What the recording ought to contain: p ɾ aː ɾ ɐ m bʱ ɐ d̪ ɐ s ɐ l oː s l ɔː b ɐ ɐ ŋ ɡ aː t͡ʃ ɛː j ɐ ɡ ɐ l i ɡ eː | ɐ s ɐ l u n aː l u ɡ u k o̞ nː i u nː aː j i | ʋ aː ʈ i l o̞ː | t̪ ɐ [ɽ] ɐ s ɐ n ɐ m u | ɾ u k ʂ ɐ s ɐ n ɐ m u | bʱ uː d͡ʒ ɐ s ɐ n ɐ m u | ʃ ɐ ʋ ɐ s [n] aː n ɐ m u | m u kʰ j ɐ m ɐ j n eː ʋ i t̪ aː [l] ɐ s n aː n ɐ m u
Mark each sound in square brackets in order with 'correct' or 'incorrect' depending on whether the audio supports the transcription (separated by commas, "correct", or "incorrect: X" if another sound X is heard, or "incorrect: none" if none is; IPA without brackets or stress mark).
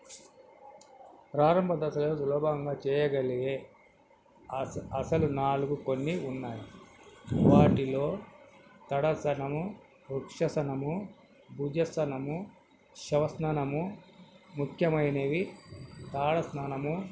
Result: correct, correct, incorrect: ɽ